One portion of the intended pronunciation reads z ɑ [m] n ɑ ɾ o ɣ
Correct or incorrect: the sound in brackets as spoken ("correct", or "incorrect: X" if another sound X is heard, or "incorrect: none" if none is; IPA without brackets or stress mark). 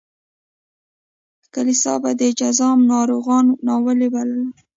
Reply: correct